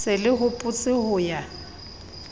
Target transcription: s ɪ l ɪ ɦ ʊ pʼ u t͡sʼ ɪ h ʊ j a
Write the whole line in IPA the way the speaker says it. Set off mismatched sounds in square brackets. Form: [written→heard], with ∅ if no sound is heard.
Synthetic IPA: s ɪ l ɪ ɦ ʊ pʼ [u→ʊ] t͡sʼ ɪ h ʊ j a